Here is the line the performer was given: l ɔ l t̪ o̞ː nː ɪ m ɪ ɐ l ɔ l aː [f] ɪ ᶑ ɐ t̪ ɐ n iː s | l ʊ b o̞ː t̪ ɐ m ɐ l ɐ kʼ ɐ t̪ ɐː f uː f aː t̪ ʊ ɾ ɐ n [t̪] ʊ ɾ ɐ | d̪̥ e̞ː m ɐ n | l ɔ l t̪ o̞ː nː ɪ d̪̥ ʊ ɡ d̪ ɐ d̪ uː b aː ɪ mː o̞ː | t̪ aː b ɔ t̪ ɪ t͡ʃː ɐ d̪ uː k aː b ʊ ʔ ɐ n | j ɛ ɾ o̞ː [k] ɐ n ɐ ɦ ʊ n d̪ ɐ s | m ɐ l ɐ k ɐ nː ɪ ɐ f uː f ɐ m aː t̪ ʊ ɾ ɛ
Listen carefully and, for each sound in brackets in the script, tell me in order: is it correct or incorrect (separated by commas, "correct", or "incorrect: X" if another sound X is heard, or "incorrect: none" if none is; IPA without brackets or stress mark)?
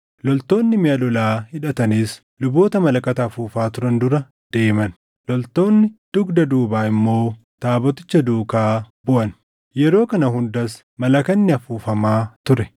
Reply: incorrect: h, incorrect: d̪, correct